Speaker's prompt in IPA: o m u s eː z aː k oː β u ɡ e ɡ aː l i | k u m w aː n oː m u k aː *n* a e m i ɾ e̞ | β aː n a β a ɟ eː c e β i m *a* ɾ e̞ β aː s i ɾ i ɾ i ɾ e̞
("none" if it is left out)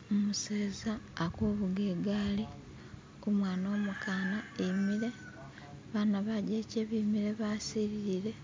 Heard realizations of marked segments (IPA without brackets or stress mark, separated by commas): n, i